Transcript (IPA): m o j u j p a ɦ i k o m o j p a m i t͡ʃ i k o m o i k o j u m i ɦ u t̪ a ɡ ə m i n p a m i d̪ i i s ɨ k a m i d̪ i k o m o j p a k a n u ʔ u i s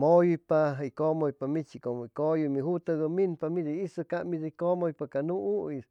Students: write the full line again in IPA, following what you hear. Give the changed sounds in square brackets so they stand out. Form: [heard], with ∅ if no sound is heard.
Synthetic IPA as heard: m o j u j p a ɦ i k o m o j p a m i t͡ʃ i k o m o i k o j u m i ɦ u t̪ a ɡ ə m i n p a m i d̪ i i s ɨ k a m i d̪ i k o m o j p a k a n u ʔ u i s